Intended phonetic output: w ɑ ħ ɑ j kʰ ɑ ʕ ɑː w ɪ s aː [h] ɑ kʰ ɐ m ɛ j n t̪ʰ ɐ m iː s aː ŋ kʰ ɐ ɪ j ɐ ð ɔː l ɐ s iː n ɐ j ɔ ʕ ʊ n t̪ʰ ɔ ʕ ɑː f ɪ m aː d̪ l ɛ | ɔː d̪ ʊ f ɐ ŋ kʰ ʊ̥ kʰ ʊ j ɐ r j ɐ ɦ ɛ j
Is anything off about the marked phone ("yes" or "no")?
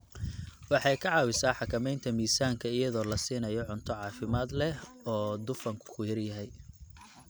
yes